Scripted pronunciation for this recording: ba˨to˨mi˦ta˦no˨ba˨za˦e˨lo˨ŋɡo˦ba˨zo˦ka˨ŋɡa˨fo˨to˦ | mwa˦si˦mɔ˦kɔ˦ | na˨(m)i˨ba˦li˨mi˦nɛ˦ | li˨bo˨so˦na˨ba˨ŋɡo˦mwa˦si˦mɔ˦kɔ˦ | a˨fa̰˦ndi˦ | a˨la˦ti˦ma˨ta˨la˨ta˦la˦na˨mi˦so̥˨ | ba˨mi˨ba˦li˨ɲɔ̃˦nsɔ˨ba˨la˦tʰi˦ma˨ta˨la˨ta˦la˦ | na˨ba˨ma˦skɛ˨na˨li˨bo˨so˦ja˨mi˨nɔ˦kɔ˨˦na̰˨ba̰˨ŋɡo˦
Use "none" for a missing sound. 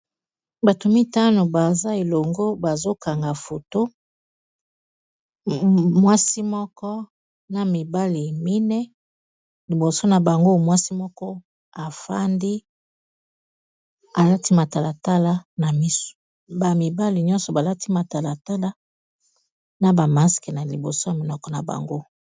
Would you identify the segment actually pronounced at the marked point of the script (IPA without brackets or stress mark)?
m